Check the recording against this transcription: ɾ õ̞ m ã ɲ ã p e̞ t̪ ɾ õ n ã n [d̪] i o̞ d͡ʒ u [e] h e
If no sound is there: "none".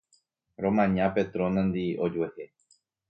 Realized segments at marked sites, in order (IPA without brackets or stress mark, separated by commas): d̪, e